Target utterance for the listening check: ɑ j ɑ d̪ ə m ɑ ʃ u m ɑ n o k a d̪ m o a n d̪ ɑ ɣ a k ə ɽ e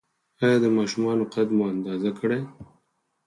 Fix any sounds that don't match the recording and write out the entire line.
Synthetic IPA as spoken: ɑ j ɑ d̪ ə m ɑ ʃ u m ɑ n o q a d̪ m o a n d̪ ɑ z a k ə ɽ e